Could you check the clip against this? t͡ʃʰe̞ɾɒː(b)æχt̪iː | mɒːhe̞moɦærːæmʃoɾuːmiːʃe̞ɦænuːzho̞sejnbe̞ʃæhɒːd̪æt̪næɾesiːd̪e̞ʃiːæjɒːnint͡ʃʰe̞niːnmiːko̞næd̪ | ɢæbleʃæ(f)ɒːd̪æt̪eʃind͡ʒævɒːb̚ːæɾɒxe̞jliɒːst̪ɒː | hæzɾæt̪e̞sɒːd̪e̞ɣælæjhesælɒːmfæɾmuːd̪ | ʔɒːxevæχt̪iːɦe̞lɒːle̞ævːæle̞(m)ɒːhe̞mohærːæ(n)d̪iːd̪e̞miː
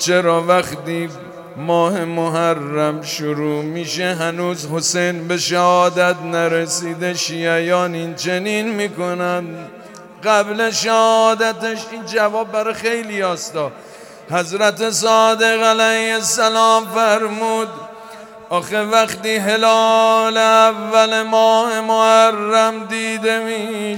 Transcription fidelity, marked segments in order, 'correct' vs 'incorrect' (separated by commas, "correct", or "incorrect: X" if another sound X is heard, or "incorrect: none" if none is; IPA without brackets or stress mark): incorrect: v, incorrect: h, correct, incorrect: m